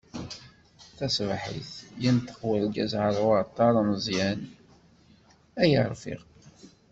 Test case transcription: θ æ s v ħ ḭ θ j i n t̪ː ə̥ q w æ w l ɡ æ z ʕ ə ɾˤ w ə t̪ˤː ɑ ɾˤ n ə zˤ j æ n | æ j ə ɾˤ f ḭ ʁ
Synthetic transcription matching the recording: θ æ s v ħ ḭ θ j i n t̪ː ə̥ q w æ l ɡ æ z ʕ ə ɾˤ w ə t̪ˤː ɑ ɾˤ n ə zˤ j æ n | æ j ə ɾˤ f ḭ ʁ

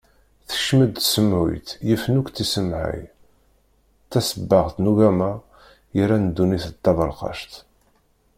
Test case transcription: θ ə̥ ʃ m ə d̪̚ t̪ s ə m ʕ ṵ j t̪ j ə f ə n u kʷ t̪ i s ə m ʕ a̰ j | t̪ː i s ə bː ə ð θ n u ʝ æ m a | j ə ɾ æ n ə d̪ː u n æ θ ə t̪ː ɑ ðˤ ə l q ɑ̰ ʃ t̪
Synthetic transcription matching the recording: θ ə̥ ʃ m ə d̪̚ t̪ s ə m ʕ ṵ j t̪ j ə f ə n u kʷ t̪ i s ə m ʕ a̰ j | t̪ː æ s ə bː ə ʁ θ n u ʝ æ m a | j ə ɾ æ n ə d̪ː u n i θ ə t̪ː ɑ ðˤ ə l q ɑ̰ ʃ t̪

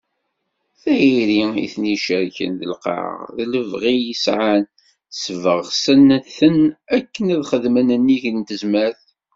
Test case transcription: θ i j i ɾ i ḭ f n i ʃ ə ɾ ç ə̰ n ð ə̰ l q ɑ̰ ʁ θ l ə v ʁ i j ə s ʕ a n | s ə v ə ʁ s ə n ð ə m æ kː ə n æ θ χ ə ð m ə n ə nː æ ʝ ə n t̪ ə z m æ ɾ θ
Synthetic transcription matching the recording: θ æ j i ɾ i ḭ θ n i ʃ ə ɾ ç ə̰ n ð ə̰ l q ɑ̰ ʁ ð l ə v ʁ i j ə s ʕ a n | s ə v ə ʁ s ə n θ ə n æ kː ə n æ ð χ ə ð m ə n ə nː i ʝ ə n t̪ ə z m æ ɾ θ

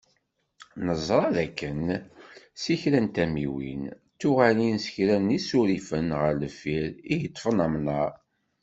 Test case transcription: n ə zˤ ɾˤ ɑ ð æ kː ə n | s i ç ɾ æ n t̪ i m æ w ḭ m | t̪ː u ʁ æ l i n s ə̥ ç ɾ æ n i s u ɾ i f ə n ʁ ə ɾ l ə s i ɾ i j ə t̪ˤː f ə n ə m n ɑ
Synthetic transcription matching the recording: n ə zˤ ɾˤ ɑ ð æ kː ə n | s i ç ɾ æ n t̪ æ m i w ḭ n | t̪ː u ʁ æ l i n s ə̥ ç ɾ æ n i s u ɾ i f ə n ʁ ə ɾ l ə f i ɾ i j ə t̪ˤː f ə n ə m n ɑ

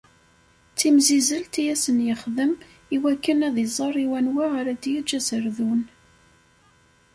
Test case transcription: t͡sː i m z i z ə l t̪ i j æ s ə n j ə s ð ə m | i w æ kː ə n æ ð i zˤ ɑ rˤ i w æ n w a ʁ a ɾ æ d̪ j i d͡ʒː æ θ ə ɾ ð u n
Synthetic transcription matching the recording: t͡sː i m z i z ə l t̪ i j æ s ə n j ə χ ð ə m | i w æ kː ə n æ ð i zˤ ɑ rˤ i w æ n w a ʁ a ɾ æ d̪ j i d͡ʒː æ s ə ɾ ð u n

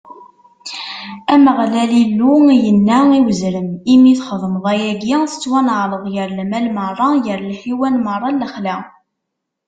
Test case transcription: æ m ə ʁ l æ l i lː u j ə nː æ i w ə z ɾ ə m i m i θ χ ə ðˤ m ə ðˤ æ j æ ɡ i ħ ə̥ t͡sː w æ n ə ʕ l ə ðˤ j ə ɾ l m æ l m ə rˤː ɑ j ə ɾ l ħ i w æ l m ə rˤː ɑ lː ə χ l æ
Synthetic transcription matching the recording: æ m ə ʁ l æ l i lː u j ə nː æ i w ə z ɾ ə m i m i θ χ ə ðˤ m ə ðˤ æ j æ ɡ i θ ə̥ t͡sː w æ n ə ʕ l ə ðˤ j ə ɾ l m æ l m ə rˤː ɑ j ə ɾ l ħ i w æ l m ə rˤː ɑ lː ə χ l æ

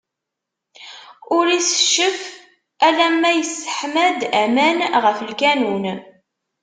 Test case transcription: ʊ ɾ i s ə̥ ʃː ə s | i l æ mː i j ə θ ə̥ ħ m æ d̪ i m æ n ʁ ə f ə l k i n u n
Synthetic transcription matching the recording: ʊ ɾ i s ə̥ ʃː ə f | æ l æ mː æ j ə s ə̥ ħ m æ d̪ æ m æ n ʁ ə f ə l k æ n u n

